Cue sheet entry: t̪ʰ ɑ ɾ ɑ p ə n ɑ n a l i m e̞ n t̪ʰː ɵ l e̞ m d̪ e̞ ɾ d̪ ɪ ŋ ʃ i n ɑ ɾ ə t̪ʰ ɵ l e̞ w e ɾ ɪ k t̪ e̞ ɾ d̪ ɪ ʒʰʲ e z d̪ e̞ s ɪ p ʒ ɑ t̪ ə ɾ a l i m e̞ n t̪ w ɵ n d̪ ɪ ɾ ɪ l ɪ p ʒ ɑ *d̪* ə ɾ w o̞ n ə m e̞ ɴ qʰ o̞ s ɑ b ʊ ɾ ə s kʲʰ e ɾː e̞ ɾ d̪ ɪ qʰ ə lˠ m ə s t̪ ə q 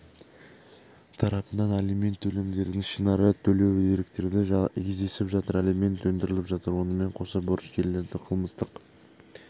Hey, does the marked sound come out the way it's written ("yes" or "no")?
no